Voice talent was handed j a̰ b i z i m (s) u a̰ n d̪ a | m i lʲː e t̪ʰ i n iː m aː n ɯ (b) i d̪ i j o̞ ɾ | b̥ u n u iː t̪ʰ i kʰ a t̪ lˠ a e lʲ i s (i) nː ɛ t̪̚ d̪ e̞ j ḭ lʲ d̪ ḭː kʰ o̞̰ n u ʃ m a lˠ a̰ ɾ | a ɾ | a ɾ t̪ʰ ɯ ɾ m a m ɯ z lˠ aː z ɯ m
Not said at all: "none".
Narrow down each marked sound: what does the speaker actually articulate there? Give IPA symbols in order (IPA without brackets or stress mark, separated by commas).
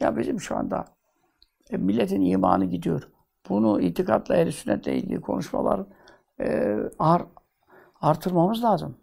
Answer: ʃ, ɟ, y